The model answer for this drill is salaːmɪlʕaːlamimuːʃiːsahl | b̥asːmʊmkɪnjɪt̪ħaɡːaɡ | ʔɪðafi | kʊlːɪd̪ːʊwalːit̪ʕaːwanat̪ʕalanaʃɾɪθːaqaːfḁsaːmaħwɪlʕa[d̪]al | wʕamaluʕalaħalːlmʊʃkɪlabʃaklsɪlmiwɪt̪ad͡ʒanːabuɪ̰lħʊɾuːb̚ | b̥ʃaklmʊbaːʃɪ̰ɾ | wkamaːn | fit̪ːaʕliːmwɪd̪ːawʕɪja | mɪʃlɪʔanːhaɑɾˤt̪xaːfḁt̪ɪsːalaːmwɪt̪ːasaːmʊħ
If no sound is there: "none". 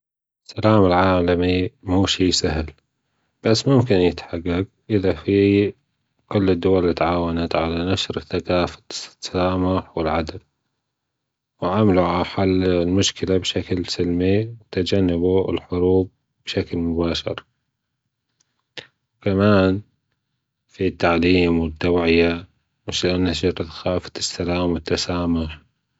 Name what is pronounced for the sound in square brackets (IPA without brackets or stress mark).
d̪